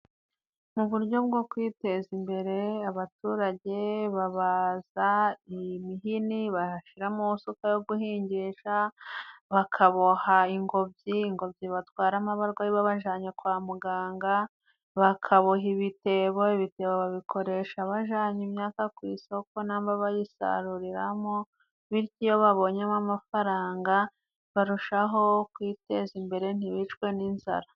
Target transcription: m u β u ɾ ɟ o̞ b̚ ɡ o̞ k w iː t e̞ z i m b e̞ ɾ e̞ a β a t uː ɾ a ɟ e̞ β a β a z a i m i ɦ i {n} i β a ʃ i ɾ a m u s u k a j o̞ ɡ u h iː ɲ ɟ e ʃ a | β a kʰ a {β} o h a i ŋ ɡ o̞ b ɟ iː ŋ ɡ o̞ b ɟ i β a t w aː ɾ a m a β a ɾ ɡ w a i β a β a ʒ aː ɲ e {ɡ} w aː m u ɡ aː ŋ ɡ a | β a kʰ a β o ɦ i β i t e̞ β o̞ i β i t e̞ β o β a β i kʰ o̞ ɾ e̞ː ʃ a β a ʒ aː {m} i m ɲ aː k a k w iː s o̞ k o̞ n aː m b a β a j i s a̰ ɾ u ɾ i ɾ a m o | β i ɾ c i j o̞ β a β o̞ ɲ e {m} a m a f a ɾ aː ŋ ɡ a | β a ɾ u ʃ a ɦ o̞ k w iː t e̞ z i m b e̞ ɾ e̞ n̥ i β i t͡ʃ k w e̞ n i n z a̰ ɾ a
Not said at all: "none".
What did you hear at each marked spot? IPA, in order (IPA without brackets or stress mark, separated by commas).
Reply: n, β, k, ɲ, m